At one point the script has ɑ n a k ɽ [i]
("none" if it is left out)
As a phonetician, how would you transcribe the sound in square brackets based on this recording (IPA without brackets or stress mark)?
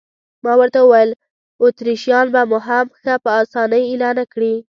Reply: i